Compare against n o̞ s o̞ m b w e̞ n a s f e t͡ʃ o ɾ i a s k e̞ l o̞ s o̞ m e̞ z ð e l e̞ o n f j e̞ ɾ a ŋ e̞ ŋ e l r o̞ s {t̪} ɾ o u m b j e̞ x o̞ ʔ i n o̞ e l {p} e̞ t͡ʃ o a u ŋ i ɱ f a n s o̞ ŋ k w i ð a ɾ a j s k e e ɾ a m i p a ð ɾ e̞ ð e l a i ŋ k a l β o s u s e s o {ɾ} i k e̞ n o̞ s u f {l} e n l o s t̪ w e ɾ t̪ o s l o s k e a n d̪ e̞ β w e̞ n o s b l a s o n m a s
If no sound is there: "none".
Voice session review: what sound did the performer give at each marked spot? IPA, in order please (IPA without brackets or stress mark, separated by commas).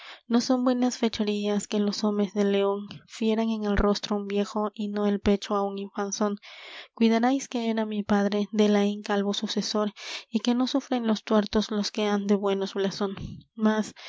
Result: t̪, p, ɾ, ɾ